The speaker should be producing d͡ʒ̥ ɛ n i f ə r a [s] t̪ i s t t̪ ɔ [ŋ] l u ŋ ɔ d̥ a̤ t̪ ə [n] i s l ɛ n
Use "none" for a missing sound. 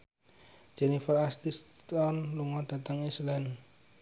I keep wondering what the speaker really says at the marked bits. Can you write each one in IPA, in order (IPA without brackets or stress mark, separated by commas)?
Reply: s, n, ŋ